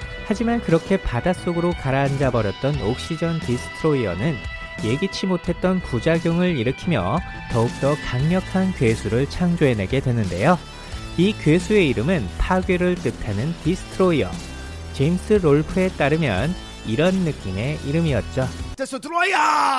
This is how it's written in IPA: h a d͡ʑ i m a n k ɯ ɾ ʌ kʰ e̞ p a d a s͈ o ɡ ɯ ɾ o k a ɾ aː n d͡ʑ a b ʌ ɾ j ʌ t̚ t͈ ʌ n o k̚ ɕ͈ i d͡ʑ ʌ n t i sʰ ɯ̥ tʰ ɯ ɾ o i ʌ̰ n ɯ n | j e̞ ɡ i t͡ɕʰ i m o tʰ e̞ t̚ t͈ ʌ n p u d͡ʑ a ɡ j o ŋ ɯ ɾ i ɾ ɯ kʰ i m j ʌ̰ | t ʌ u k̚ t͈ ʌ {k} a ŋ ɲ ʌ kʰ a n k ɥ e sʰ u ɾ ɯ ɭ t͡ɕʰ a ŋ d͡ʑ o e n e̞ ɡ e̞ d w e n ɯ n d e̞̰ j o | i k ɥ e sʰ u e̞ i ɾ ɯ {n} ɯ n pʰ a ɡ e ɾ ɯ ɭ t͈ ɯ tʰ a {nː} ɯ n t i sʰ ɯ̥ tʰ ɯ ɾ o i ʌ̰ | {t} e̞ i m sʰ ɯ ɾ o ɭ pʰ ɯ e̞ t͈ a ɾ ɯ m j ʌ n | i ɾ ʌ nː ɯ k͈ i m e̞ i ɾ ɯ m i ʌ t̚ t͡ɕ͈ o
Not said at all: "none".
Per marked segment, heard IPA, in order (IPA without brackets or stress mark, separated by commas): k, m, n, t͡ɕ